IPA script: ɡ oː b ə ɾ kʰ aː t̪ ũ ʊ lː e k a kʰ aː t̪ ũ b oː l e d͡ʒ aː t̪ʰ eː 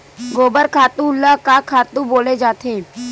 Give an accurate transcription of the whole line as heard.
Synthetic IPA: ɡ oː b ə ɾ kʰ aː t̪ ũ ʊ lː a k a kʰ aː t̪ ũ b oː l e d͡ʒ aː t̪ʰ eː